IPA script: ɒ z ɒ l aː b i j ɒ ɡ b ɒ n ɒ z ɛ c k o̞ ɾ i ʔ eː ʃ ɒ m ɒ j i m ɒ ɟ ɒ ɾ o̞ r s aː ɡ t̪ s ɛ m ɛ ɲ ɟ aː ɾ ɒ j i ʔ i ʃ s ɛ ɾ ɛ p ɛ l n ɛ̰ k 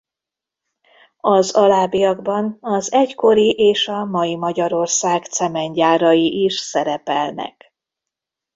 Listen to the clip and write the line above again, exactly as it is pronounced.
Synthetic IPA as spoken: ɒ z ɒ l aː b i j ɒ ɡ b ɒ n ɒ z ɛ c k o̞ ɾ i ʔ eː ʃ ɒ m ɒ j i m ɒ ɟ ɒ ɾ o̞ r s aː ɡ t̪ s ɛ m ɛ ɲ ɟ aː ɾ ɒ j i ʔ i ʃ s ɛ ɾ ɛ p ɛ l n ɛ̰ k